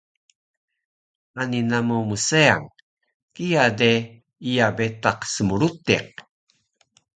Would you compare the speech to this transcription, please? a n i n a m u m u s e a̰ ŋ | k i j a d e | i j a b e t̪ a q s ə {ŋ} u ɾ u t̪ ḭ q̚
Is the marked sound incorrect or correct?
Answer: incorrect